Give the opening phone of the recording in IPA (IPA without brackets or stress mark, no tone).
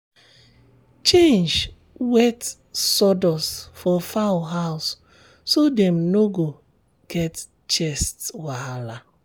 t͡ʃ